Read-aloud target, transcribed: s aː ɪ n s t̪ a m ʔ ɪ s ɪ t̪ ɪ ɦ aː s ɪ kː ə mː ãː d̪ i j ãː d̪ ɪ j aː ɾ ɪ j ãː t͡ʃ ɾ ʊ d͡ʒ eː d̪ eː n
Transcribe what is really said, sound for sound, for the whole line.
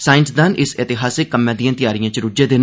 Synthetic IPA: s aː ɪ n s d̪ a n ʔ ɪ s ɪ t̪ ɪ ɦ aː s ɪ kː ə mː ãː d̪ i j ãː t̪ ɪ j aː ɾ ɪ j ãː t͡ʃ ɾ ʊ d͡ʒ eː d̪ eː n